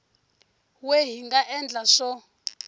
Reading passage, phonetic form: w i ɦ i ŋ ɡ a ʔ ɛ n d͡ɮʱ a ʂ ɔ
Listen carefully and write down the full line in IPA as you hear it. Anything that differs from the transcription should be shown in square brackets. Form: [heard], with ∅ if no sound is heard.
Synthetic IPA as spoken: w [e] ɦ i ŋ ɡ a ʔ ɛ n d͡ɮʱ a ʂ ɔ